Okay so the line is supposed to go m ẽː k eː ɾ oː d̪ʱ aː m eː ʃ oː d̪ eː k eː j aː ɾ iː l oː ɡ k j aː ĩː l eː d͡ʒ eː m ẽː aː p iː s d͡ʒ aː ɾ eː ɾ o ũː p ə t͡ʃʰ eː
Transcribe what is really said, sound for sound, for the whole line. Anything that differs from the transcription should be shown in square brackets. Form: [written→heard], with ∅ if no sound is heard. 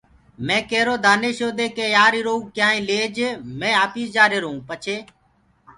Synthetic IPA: m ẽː k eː ɾ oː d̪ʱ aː [m→n] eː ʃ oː d̪ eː k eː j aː ɾ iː [l→ɾ] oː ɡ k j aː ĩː l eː d͡ʒ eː m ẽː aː p iː s d͡ʒ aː ɾ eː ɾ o ũː p ə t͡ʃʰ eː